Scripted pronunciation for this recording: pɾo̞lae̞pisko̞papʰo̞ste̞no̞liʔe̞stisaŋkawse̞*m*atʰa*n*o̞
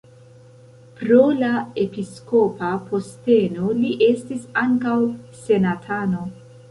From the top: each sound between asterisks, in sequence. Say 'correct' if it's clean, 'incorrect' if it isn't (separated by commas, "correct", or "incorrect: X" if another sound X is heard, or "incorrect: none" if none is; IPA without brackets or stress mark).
incorrect: n, correct